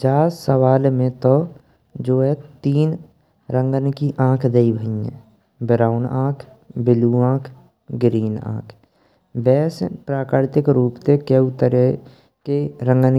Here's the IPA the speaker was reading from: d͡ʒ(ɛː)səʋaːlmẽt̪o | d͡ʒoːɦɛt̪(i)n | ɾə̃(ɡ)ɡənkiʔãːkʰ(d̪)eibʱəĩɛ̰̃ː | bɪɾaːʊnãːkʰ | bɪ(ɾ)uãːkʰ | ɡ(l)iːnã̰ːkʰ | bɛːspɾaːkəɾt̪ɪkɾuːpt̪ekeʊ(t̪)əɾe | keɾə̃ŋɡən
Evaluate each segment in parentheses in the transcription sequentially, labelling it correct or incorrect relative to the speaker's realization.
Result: incorrect, incorrect, incorrect, correct, incorrect, incorrect, correct

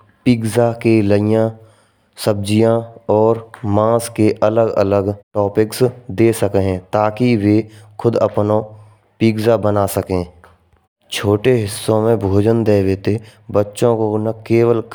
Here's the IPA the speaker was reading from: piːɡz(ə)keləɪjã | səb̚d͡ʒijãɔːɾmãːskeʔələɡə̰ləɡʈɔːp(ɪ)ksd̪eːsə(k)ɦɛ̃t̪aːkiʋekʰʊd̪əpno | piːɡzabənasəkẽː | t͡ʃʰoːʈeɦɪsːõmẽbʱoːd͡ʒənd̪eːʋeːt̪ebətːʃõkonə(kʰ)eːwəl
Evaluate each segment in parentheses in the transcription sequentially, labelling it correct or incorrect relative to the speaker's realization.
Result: incorrect, correct, correct, incorrect

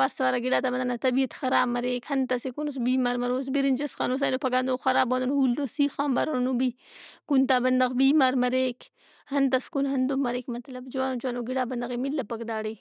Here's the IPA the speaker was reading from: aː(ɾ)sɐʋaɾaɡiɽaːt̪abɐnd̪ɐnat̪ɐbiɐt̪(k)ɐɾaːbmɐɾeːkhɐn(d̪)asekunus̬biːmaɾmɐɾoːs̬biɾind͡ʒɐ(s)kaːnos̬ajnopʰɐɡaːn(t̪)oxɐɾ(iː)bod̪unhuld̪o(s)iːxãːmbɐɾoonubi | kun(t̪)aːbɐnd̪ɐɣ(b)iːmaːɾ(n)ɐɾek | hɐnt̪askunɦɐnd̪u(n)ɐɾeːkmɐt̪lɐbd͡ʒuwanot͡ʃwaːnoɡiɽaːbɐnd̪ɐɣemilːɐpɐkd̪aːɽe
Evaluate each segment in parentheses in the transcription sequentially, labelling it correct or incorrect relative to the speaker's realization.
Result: correct, incorrect, incorrect, correct, incorrect, incorrect, correct, correct, correct, incorrect, incorrect

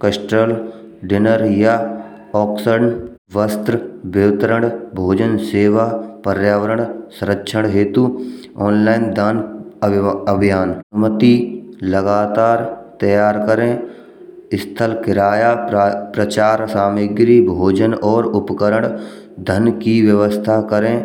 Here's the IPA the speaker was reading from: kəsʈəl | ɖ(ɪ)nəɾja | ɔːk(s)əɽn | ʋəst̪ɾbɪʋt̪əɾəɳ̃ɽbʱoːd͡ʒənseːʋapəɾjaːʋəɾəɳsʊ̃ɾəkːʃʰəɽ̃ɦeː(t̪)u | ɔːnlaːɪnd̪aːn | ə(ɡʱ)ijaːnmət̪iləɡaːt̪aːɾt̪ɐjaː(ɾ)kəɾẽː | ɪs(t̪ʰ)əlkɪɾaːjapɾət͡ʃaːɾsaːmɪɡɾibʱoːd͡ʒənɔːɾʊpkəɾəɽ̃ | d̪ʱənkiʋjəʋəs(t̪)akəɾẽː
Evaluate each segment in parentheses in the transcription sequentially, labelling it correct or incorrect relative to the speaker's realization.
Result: correct, correct, correct, incorrect, correct, correct, incorrect

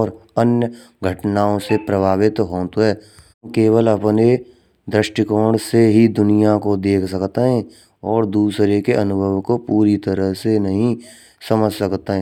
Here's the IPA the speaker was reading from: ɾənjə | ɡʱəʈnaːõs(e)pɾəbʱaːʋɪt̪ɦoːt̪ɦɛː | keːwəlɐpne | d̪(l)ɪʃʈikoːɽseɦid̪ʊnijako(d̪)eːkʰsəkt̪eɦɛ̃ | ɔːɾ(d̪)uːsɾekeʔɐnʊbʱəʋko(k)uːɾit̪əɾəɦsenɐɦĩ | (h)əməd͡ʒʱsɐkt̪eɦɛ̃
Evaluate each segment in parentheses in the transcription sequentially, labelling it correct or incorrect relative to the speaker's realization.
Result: correct, incorrect, correct, correct, incorrect, incorrect

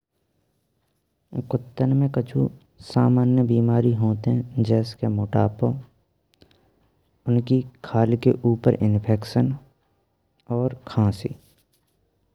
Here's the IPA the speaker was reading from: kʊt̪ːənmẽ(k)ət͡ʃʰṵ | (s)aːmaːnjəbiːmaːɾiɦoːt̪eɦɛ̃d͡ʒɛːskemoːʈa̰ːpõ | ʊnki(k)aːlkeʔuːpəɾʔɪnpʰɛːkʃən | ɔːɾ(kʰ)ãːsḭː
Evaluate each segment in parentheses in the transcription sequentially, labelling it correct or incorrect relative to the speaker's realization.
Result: correct, correct, incorrect, correct

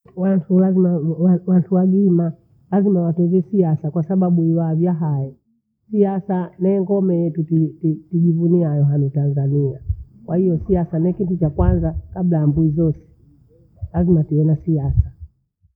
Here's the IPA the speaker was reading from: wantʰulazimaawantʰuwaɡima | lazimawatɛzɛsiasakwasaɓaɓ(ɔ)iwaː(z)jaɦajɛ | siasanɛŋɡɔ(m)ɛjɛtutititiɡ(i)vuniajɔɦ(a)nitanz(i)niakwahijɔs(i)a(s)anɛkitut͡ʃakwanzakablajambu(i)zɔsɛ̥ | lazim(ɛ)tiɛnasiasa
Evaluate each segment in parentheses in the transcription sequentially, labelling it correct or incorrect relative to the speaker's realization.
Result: incorrect, incorrect, correct, correct, correct, incorrect, correct, correct, correct, incorrect

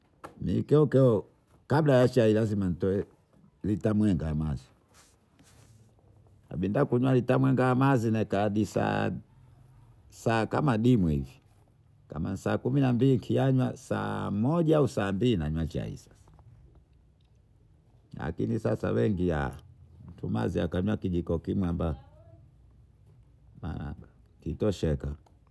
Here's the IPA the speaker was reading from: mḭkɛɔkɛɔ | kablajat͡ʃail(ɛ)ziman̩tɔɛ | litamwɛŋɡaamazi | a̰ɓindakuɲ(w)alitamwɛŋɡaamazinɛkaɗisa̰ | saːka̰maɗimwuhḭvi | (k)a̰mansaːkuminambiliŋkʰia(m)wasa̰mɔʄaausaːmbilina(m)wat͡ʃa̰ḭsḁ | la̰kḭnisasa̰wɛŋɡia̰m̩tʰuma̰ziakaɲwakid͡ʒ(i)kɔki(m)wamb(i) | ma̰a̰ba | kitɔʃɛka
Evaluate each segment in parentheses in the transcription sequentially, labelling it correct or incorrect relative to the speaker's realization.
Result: incorrect, correct, correct, incorrect, incorrect, correct, correct, incorrect

